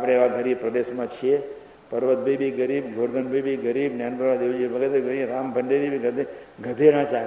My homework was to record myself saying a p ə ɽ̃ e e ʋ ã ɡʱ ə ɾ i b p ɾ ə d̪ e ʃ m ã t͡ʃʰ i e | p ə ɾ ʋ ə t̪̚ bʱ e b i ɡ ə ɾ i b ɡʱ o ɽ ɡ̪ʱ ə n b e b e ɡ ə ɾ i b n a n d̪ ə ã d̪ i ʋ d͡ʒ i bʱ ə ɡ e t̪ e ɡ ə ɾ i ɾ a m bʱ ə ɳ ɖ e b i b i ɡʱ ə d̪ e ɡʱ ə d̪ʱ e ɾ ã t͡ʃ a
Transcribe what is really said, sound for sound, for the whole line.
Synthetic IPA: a p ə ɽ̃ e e ʋ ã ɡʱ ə ɾ i b p ɾ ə d̪ e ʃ m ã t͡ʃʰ i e | p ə ɾ ʋ ə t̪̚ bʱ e b i ɡ ə ɾ i b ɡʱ o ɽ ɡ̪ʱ ə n b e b i ɡ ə ɾ i b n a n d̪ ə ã d̪ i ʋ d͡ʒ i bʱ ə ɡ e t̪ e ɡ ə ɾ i ɾ a m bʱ ə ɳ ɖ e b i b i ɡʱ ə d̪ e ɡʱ ə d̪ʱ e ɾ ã t͡ʃ a